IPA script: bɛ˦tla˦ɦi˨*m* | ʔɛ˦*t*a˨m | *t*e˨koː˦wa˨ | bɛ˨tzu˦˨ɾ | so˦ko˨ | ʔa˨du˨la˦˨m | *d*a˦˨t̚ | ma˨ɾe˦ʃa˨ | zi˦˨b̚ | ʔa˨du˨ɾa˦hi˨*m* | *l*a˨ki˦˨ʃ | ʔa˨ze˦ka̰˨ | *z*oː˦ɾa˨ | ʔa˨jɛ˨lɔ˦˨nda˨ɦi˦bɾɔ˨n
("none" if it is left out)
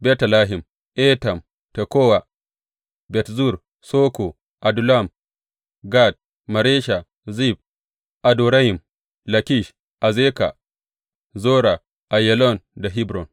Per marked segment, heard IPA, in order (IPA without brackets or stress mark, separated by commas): m, t, t, ɡ, m, l, z